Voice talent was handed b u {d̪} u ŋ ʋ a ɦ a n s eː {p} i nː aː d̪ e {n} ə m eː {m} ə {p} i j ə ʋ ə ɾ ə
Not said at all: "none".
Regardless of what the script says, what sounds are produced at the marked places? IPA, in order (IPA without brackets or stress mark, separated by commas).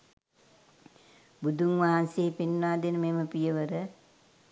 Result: d̪, p, n, m, p